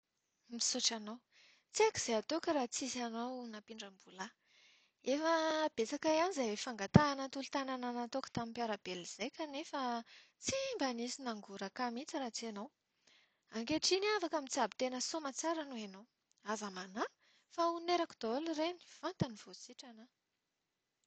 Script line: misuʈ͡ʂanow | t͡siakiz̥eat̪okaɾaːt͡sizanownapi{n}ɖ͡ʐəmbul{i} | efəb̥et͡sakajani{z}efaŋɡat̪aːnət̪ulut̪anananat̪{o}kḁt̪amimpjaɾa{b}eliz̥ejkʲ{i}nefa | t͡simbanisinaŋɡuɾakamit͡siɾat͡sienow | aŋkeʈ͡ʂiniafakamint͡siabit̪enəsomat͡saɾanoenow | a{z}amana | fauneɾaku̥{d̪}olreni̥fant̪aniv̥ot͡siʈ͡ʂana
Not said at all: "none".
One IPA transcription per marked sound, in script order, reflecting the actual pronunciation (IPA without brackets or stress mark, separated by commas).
ɳ, a, z, o, b, a, z, d̪